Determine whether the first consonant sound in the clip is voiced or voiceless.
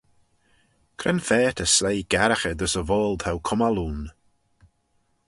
voiceless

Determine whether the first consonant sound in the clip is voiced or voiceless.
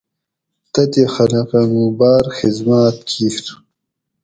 voiceless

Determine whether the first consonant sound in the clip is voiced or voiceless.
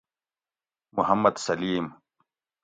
voiced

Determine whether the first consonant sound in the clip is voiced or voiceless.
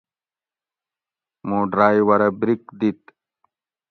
voiced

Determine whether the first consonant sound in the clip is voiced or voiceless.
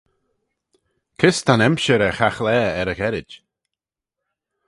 voiceless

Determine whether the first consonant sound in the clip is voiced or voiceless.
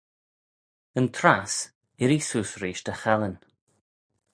voiced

